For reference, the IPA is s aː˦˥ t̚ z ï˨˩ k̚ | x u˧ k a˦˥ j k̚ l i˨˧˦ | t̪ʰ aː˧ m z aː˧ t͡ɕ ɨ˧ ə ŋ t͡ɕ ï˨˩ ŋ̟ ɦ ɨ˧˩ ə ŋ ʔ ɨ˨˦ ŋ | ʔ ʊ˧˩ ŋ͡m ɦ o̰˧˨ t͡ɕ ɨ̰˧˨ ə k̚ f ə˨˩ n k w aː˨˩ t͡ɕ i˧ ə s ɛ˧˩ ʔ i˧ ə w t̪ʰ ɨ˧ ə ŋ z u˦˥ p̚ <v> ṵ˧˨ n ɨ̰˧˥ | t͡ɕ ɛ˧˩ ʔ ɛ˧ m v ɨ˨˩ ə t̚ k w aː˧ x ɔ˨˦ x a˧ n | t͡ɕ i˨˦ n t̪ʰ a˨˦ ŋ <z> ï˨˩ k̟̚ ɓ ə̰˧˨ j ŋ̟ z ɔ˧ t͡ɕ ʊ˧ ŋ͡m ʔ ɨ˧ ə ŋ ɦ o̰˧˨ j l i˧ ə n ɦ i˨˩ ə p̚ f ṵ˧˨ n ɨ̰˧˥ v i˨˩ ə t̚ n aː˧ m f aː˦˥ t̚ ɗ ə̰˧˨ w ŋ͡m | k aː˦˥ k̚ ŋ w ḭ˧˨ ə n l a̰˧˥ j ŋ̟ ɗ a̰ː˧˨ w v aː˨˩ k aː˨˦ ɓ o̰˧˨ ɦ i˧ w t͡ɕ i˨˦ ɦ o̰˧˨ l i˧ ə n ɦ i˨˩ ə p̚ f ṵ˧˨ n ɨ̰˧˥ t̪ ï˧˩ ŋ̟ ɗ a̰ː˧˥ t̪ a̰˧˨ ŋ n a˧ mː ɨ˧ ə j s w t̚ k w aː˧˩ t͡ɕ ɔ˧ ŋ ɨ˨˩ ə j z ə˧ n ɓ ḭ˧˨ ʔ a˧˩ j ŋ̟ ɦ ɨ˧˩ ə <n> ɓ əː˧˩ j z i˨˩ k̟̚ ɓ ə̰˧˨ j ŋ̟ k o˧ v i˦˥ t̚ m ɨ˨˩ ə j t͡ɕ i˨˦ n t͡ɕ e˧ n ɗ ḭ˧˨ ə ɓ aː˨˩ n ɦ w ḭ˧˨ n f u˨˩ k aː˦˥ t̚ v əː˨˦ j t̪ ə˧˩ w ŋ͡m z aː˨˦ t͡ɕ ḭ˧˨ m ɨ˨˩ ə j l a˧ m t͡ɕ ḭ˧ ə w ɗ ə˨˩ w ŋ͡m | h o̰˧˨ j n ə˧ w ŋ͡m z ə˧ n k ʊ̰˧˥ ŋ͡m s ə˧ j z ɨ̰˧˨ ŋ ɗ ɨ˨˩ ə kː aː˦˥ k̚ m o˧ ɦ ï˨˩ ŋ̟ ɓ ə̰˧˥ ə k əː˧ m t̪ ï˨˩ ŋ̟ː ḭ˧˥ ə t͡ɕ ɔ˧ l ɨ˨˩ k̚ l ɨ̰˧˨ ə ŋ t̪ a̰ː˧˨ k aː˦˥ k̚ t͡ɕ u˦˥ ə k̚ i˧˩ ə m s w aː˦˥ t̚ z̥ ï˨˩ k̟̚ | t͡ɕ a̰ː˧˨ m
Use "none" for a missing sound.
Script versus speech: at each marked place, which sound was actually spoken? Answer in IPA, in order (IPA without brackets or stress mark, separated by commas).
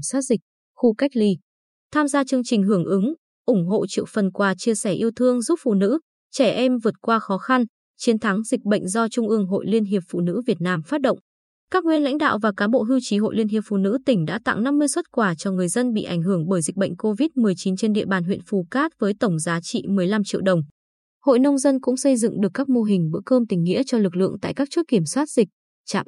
f, z, ŋ